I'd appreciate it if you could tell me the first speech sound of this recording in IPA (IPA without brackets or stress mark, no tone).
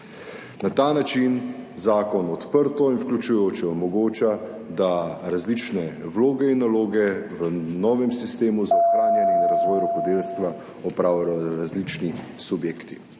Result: n